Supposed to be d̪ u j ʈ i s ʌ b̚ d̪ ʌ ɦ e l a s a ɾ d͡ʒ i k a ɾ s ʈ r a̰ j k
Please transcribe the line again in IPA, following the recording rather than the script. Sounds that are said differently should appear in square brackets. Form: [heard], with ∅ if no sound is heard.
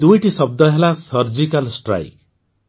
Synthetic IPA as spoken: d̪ u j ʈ i s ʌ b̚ d̪ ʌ ɦ e l a s [ʌ] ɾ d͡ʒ i k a [l] s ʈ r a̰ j k